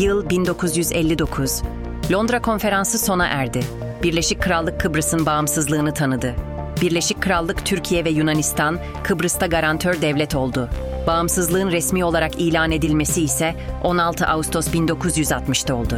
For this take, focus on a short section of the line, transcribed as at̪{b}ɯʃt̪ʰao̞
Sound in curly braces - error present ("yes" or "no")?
yes